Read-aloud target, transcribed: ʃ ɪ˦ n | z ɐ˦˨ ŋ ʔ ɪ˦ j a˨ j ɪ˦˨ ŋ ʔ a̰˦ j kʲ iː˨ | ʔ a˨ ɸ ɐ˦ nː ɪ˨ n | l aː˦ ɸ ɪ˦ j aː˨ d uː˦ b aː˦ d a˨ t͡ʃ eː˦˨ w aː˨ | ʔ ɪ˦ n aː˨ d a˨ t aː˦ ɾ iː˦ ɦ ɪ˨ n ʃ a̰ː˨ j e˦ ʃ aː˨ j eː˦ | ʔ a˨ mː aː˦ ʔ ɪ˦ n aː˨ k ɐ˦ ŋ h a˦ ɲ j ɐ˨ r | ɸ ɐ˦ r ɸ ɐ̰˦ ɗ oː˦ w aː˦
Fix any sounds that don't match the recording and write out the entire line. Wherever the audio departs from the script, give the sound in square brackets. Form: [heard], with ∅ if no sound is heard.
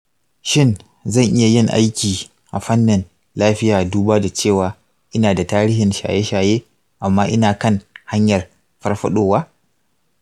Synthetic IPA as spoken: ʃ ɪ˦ n | z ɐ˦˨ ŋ ʔ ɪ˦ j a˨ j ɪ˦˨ ŋ ʔ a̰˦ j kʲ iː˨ | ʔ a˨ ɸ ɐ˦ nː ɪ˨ n | l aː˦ ɸ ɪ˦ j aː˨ d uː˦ b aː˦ d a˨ t͡ʃ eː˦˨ w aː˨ | ʔ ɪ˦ n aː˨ d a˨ t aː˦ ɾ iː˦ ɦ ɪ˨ n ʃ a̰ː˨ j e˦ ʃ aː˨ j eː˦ | ʔ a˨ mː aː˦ ʔ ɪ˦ n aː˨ k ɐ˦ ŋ h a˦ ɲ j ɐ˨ r | ɸ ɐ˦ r ɸ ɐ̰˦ ɗ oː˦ w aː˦